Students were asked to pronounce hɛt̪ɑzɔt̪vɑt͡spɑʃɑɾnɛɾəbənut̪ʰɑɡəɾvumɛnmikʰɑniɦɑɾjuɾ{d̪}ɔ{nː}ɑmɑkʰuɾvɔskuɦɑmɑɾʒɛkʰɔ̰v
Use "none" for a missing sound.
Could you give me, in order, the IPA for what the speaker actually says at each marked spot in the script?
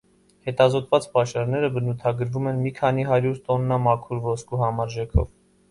t̪, nː

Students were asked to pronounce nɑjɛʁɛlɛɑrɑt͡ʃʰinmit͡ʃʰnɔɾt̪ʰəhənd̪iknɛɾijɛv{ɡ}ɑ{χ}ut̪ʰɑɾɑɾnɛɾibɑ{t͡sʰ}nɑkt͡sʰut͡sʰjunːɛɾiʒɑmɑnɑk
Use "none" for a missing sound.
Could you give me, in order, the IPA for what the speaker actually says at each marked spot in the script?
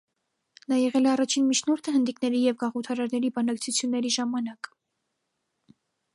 ɡ, ʁ, none

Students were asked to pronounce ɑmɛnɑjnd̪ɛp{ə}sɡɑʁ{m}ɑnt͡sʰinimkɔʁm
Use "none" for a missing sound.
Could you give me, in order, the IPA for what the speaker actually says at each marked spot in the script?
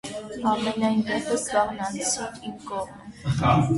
ə, n

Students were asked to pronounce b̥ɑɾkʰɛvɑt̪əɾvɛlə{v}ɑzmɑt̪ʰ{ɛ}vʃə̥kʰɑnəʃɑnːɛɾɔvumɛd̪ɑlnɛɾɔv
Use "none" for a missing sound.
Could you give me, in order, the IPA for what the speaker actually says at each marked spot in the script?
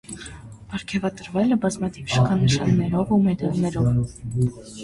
b, i

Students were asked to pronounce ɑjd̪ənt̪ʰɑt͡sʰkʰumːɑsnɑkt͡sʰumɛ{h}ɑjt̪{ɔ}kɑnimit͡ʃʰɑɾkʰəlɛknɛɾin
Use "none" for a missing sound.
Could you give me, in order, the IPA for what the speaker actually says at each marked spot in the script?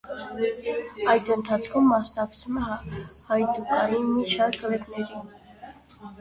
h, u

